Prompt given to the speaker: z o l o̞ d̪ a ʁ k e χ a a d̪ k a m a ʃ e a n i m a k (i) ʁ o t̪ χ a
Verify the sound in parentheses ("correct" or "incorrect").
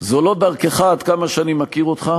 correct